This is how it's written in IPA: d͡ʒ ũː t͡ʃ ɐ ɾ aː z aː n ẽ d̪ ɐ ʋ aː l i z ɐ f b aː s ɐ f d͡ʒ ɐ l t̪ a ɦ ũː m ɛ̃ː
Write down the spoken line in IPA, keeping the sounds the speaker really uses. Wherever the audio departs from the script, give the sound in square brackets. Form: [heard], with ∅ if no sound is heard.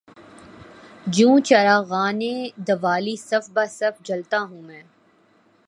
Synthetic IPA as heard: d͡ʒ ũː t͡ʃ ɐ ɾ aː [ɣ] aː n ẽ d̪ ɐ ʋ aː l i [s] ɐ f b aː s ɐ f d͡ʒ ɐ l t̪ a ɦ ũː m ɛ̃ː

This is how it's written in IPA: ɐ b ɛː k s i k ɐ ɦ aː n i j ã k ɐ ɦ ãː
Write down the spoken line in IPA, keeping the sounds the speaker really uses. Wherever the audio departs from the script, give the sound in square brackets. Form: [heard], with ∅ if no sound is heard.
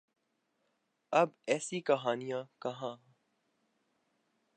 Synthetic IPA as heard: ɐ b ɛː [∅] s i k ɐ ɦ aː n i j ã k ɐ ɦ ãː

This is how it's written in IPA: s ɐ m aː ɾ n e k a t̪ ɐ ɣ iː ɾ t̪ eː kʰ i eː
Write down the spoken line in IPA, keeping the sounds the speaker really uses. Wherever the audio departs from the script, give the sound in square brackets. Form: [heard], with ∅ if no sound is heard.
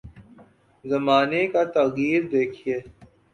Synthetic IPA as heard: [z] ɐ m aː [∅] n e k a t̪ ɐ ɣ iː ɾ [d̪] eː kʰ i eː

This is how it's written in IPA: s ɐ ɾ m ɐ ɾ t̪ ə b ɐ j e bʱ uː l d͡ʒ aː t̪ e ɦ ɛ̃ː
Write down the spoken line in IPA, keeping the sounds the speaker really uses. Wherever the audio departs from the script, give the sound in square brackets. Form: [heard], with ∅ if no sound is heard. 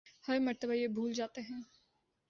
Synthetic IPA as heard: [h] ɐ ɾ m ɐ ɾ t̪ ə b [a] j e bʱ uː l d͡ʒ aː t̪ e ɦ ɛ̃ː

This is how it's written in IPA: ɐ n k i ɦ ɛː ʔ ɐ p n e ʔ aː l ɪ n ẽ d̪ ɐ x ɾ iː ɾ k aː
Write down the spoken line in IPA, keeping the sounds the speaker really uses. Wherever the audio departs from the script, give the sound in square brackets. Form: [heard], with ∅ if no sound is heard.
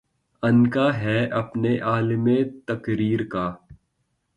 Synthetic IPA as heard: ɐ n k [a] ɦ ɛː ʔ ɐ p n e ʔ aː l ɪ [m] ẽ [t̪] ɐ [k] ɾ iː ɾ k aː

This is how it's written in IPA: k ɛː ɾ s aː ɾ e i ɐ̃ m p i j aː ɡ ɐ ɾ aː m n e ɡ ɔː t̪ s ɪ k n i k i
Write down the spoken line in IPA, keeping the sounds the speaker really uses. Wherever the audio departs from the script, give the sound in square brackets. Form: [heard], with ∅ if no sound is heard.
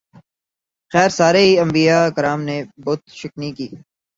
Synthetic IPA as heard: [x] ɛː ɾ s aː ɾ e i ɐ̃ m [b] i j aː [k] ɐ ɾ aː m n e [b] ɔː t̪ [ʃ] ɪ k n i k [iː]

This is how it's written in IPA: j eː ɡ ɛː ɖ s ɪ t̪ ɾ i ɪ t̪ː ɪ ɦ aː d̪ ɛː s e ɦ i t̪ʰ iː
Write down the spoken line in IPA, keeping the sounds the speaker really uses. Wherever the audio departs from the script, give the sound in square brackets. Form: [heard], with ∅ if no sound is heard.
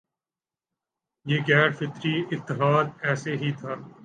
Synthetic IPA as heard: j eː ɡ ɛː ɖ [f] ɪ t̪ ɾ i ɪ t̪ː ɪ ɦ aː d̪ ɛː s e ɦ i t̪ʰ [aː]

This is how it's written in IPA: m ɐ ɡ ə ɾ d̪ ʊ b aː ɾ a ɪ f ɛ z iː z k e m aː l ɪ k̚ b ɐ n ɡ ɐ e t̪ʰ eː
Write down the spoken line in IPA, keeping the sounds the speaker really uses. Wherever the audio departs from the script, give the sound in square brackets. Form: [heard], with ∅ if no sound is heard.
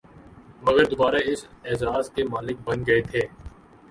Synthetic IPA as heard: m ɐ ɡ ə ɾ d̪ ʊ b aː ɾ a ɪ [s] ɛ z [aː] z k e m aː l ɪ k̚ b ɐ n ɡ ɐ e t̪ʰ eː

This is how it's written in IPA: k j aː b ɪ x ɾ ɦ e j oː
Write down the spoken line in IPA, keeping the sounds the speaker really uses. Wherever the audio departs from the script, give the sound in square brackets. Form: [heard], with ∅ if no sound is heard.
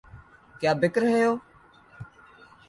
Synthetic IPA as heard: k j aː b ɪ [k] ɾ ɦ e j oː

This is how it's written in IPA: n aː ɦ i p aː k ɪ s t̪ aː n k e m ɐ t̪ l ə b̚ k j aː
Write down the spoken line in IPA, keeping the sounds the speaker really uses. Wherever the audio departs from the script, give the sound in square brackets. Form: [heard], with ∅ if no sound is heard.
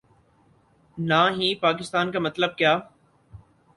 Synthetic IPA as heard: n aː ɦ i p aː k ɪ s t̪ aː n k [a] m ɐ t̪ l ə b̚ k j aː

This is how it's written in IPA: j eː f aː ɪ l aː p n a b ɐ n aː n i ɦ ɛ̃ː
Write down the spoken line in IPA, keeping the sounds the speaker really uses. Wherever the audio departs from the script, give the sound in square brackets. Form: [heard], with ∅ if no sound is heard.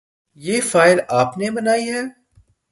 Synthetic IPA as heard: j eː f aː ɪ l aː p n [e] b ɐ n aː [∅] i ɦ [ɛː]

